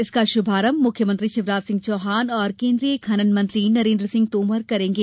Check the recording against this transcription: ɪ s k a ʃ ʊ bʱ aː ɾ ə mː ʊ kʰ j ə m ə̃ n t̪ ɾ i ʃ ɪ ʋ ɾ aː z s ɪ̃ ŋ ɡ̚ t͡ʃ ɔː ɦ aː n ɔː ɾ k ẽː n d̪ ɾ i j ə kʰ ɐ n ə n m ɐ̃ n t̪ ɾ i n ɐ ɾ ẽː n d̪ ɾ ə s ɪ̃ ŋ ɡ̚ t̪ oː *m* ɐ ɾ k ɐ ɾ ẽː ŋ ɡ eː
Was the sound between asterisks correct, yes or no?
yes